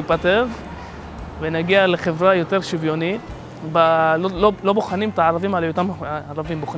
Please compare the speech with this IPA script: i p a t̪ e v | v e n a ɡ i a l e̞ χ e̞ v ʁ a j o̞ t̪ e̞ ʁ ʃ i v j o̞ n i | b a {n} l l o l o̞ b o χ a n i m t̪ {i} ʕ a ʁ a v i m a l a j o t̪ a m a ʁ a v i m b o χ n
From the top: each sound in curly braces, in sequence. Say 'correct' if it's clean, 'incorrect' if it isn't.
incorrect: none, incorrect: a

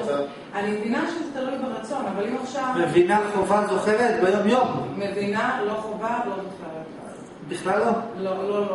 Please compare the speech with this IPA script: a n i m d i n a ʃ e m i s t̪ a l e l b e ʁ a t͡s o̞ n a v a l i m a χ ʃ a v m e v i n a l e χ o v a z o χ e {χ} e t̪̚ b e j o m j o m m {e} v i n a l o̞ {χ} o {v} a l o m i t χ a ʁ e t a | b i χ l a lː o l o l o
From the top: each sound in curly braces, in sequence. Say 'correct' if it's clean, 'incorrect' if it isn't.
incorrect: ʁ, correct, correct, correct

